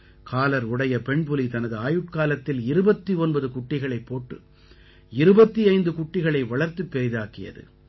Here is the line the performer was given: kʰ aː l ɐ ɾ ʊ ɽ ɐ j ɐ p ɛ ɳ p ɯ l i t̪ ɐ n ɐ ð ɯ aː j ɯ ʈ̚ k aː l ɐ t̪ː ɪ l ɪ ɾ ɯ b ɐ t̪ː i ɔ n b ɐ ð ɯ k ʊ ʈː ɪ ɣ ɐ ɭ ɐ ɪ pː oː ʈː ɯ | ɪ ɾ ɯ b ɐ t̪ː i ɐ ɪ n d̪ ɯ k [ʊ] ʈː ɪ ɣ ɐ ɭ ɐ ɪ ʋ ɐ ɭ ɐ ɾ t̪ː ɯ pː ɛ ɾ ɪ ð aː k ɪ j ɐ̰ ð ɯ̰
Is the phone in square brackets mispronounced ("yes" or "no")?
no